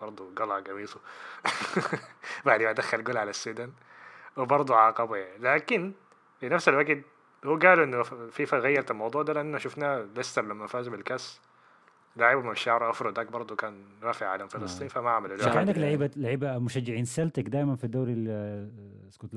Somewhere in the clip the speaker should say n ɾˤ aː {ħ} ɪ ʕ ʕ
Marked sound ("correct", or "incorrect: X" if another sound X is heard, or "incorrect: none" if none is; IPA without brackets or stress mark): incorrect: f